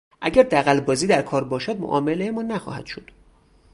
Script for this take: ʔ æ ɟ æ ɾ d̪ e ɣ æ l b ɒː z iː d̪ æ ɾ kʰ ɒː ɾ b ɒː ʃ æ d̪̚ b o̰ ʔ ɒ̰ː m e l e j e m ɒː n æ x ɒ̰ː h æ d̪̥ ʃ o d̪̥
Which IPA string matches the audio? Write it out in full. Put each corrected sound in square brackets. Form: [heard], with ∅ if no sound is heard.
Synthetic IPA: ʔ æ ɟ æ ɾ d̪ [æ] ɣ æ l b ɒː z iː d̪ æ ɾ kʰ ɒː ɾ b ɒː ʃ æ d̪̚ [m] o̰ ʔ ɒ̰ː m e l e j e m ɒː n æ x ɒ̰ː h æ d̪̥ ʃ o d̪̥